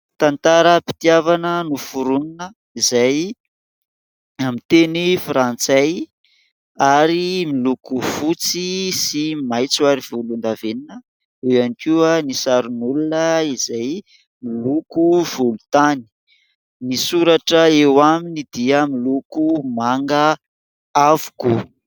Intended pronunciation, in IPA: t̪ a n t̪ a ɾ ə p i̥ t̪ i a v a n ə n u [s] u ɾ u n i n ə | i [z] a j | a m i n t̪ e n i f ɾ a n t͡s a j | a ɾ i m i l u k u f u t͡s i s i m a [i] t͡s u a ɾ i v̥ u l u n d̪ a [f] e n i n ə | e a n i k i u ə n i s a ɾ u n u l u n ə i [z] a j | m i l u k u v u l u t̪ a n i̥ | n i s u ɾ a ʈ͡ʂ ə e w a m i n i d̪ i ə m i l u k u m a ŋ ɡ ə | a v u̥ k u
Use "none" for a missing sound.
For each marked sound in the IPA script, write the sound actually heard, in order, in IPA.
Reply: f, z, j, v, z

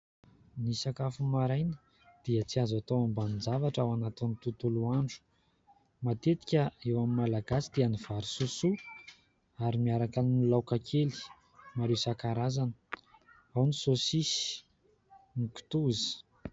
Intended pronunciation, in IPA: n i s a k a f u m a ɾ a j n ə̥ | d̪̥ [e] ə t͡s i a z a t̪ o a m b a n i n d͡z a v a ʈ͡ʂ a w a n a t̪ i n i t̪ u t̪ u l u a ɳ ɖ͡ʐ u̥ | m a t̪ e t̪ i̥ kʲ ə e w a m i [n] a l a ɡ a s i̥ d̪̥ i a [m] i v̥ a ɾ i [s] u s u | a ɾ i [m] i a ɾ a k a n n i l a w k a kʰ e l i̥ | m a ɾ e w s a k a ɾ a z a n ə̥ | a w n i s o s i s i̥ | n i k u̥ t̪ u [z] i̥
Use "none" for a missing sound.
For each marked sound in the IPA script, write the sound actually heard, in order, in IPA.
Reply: i, m, n, s, m, z

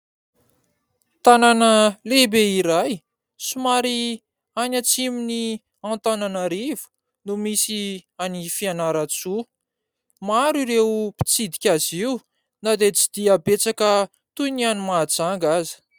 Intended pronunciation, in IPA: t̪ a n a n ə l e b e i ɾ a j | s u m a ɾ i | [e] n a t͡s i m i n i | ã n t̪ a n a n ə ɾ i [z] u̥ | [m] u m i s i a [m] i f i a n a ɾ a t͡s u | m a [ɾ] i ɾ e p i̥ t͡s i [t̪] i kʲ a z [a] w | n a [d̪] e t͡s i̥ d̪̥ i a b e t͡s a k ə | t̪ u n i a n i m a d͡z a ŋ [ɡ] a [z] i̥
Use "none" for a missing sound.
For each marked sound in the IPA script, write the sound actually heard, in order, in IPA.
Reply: a, v, n, n, ɾ, d̪, i, d̪, ɡ, z

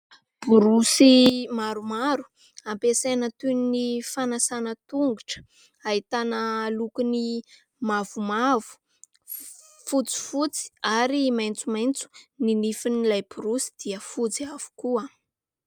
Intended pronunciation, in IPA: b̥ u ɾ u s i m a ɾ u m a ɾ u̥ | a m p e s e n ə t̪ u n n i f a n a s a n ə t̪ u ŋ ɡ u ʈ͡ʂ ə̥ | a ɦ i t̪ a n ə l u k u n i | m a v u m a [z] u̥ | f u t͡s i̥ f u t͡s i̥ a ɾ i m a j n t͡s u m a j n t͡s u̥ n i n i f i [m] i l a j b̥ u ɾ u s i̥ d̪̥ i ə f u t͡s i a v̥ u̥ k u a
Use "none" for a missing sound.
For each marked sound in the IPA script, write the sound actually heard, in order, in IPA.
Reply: v, n

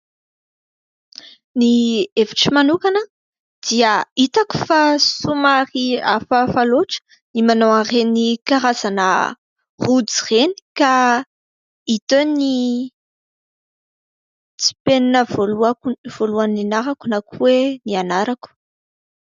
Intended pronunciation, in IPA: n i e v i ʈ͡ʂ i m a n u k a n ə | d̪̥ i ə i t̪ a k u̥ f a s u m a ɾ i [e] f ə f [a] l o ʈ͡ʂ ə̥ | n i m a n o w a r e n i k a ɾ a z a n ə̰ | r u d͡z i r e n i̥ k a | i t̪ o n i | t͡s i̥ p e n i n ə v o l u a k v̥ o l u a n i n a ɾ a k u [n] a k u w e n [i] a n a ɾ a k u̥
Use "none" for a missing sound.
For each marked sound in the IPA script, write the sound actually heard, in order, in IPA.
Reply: a, a, n, i

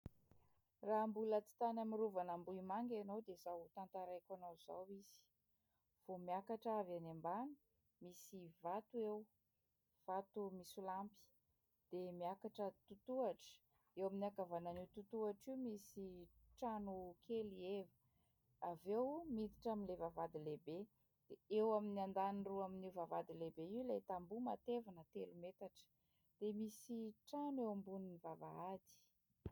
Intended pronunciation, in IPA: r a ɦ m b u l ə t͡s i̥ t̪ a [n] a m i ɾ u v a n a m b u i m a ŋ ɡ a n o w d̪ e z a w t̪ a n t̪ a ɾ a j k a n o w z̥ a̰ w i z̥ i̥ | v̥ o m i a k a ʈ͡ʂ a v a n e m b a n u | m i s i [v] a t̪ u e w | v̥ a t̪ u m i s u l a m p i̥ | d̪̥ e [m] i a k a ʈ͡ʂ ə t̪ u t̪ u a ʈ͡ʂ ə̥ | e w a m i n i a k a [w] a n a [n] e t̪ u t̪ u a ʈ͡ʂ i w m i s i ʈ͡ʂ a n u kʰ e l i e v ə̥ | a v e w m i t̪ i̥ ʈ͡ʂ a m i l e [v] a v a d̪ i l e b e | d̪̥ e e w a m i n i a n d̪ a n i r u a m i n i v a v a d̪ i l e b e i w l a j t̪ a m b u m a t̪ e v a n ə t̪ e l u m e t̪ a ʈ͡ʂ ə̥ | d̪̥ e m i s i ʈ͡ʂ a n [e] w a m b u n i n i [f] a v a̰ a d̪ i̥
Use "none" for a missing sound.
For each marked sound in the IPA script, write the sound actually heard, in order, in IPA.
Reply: n, v, m, v, n, v, e, v

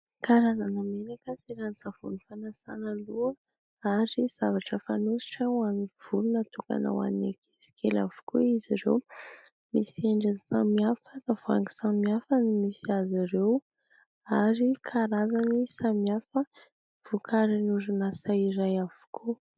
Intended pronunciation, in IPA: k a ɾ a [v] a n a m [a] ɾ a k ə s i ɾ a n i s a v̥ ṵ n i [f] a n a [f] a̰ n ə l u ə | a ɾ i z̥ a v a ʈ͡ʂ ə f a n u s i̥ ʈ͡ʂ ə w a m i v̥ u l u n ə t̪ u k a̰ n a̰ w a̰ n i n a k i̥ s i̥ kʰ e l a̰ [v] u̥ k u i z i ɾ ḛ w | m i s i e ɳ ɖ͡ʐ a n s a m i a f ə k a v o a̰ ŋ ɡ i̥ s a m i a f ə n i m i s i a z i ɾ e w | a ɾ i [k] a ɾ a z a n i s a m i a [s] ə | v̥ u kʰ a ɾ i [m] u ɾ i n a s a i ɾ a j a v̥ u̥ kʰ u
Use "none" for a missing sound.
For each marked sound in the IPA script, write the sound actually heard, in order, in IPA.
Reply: z, e, f, s, v, kʰ, f, n

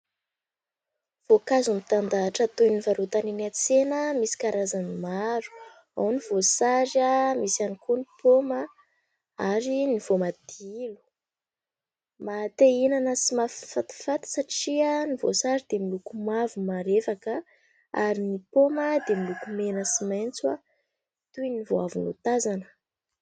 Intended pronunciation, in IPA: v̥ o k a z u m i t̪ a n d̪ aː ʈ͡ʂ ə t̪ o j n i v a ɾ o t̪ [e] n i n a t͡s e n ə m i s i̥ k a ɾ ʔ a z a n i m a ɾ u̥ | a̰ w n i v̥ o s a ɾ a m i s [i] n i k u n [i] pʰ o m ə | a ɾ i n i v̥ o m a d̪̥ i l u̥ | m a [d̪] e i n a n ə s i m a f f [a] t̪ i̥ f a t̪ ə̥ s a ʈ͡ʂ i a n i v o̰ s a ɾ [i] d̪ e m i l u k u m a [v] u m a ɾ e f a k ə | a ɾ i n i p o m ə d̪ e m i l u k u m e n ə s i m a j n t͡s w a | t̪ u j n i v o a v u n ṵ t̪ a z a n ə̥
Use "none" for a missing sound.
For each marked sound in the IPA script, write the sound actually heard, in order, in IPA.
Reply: a, a, i, t̪, a, i, v

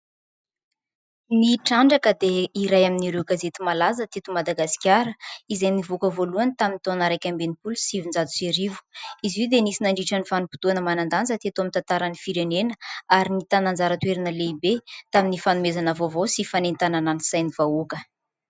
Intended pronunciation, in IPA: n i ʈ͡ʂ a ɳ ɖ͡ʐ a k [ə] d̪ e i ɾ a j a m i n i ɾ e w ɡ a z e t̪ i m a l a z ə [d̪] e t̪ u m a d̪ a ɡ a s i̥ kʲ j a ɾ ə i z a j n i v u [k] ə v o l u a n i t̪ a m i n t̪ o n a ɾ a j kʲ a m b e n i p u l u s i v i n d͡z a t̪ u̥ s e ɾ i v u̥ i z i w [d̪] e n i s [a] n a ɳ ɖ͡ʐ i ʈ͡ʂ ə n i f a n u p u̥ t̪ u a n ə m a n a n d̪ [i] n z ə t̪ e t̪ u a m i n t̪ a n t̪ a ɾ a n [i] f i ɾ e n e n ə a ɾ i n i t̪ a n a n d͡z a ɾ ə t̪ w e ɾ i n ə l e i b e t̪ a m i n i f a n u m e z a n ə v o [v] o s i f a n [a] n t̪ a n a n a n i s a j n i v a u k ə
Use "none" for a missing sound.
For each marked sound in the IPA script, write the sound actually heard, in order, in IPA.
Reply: ə, t̪, k, d̪, i, a, i, v, e

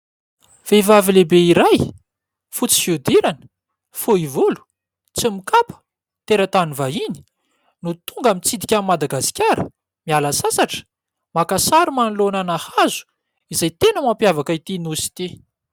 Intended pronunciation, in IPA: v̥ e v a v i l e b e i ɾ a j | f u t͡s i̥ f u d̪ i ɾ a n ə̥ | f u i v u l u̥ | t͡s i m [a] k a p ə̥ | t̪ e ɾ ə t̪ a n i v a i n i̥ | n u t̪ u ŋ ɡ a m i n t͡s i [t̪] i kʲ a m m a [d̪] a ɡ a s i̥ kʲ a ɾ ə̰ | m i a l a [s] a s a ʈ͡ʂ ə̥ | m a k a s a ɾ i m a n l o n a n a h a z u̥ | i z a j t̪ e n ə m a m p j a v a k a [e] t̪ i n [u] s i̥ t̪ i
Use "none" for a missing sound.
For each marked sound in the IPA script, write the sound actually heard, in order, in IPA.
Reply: i, d̪, d̪, s, i, u

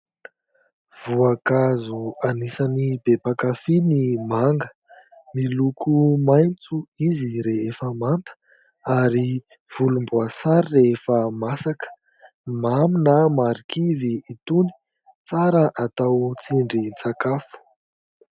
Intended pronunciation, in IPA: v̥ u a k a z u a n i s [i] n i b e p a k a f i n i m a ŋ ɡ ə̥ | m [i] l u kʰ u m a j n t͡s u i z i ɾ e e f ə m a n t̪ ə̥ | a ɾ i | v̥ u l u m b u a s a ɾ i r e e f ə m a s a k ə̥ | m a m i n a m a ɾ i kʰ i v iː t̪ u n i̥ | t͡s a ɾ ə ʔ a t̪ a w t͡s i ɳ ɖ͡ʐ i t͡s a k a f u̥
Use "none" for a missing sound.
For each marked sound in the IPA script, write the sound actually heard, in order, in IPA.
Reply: a, i

